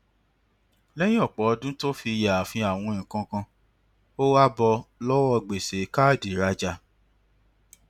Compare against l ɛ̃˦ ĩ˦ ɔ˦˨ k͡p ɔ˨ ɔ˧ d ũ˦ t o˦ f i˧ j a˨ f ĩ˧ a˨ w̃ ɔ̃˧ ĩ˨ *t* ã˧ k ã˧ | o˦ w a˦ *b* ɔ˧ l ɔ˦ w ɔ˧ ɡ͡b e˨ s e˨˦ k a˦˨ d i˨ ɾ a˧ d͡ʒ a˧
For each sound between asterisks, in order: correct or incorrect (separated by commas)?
incorrect, correct